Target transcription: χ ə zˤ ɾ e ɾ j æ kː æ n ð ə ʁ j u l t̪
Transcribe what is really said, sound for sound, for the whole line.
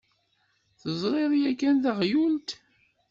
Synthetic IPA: θ ə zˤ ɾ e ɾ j æ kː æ n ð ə ʁ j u l t̪